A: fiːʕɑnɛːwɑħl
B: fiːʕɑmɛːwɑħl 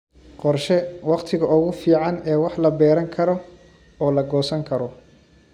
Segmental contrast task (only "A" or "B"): A